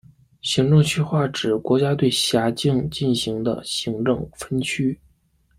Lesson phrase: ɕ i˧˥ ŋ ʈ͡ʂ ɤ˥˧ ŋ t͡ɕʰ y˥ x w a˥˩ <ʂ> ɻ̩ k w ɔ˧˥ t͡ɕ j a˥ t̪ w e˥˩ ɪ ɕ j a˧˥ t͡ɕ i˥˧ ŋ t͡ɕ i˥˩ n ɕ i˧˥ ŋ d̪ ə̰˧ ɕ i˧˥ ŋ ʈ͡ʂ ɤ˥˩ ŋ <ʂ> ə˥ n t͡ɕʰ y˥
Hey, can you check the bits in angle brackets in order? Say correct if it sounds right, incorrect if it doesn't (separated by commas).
incorrect, incorrect